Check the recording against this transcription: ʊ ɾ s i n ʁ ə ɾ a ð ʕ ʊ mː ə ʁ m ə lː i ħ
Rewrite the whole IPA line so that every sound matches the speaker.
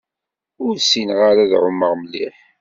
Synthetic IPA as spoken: ʊ ɾ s i n ʁ a ɾ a ð ʕ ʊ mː ə ʁ m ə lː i ħ